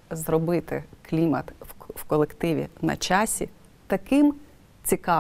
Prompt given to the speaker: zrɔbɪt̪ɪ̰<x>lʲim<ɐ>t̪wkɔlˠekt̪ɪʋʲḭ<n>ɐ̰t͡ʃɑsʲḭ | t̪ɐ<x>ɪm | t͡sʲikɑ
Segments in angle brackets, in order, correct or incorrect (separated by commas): incorrect, correct, correct, incorrect